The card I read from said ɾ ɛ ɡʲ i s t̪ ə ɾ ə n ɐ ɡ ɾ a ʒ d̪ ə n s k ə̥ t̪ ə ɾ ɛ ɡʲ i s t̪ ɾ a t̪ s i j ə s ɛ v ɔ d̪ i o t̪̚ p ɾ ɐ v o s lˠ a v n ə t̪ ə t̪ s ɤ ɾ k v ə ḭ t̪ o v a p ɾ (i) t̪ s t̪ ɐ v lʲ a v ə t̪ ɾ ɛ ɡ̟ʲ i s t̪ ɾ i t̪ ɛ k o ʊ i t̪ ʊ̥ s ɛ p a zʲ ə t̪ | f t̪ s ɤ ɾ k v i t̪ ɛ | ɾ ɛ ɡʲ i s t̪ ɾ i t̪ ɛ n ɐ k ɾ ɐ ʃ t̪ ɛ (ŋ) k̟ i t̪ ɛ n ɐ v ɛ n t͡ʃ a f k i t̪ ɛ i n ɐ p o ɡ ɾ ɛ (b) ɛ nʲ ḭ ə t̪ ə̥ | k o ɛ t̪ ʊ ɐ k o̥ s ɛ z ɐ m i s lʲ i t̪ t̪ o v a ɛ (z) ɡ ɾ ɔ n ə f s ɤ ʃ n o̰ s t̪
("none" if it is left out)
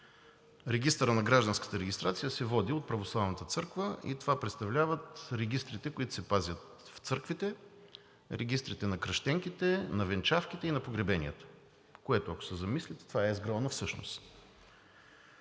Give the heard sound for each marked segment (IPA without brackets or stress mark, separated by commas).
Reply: ɛ, ŋ, b, z